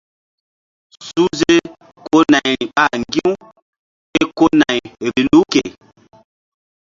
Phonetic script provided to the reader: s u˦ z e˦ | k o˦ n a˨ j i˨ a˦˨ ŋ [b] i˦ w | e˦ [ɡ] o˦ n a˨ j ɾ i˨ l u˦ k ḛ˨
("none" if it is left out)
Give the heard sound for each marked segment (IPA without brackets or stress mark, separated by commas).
ɡ, k